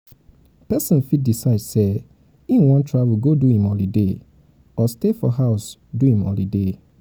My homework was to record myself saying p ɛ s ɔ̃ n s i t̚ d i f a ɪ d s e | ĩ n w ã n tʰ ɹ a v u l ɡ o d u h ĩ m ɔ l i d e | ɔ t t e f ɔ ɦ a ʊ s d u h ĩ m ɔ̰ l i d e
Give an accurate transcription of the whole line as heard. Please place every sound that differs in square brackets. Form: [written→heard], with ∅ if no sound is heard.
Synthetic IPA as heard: p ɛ s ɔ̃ n [s→f] i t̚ d i [f→s] a ɪ d s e | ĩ n w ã n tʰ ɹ a v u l ɡ o d u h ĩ m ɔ l i d e | ɔ [t→s] t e f ɔ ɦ a ʊ s d u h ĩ m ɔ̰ l i d e